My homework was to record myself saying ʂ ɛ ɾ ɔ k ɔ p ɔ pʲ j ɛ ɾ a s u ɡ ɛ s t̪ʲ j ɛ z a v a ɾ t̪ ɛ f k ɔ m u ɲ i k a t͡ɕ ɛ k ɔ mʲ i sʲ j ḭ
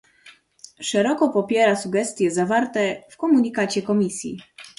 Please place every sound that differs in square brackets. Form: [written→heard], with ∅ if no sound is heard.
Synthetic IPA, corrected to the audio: ʂ ɛ ɾ ɔ k ɔ p ɔ pʲ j ɛ ɾ a s u ɡ ɛ s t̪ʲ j ɛ z a v a ɾ t̪ ɛ f k ɔ m u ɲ i k a t͡ɕ ɛ k ɔ mʲ i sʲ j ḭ